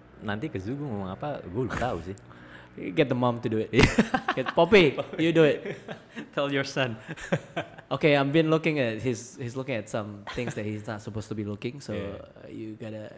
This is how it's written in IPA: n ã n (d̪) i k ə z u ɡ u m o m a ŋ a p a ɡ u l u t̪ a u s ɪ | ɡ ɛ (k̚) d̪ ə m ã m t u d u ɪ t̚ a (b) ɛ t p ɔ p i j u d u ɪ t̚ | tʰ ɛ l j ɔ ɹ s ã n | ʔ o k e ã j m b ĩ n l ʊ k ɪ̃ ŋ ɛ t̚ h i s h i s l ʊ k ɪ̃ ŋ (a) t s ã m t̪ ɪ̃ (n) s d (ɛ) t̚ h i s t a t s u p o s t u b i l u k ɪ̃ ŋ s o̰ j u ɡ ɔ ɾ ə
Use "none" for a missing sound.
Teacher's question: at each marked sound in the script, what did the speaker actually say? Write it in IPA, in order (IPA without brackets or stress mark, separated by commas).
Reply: t̪, t̚, ɡ, ɛ, ŋ, ɛ